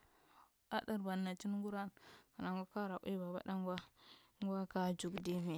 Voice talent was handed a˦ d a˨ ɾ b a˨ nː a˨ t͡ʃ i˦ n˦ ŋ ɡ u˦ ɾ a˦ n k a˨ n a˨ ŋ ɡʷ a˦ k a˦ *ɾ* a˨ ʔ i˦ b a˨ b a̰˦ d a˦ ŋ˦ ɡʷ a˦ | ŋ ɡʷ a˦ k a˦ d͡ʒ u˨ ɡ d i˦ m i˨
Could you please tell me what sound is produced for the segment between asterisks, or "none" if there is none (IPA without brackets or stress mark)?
ɾ